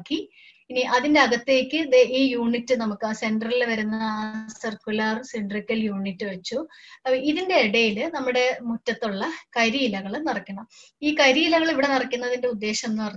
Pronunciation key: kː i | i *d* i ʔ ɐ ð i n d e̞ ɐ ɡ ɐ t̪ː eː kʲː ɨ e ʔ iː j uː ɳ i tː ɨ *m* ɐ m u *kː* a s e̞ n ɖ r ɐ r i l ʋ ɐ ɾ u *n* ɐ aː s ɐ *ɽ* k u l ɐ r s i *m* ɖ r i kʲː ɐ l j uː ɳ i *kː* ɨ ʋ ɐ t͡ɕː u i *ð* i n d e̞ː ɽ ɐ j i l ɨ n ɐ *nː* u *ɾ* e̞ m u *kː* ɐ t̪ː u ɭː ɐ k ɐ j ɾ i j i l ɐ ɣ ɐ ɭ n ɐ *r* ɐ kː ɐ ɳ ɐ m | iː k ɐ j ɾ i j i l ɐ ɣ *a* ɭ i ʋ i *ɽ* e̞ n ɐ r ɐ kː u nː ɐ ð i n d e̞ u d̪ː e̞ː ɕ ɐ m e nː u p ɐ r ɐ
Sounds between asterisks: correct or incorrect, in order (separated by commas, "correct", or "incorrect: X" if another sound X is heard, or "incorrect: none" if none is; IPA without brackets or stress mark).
incorrect: n, incorrect: n, correct, incorrect: nː, incorrect: r, incorrect: ɳ, incorrect: tː, correct, incorrect: mː, incorrect: ɽ, incorrect: tː, correct, incorrect: ɐ, correct